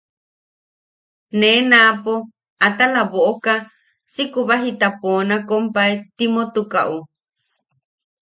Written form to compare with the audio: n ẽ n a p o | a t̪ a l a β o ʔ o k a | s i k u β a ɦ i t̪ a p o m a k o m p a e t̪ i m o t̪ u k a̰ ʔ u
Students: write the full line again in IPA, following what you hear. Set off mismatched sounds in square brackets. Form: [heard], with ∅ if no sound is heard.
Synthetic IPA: n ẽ n a p o | a t̪ a l a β o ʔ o k a | s i k u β a ɦ i t̪ a p o [n] a k o m p a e t̪ i m o t̪ u k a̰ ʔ u